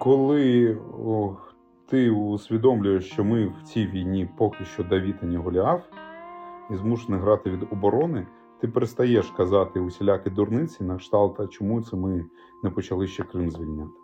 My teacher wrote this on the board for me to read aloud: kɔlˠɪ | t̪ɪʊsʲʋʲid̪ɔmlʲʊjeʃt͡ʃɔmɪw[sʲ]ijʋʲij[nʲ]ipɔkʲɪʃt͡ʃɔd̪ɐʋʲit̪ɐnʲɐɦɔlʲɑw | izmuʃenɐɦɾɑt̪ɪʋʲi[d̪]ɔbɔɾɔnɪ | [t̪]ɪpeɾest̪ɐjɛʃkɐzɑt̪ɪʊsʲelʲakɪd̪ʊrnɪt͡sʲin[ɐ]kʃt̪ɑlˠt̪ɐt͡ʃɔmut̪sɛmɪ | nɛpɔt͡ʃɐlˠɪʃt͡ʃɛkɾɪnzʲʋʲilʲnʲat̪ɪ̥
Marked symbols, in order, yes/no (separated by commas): no, yes, yes, yes, yes